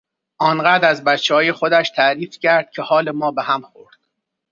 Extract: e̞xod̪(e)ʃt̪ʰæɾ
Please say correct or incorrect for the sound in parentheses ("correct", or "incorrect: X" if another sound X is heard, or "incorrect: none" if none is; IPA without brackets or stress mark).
incorrect: æ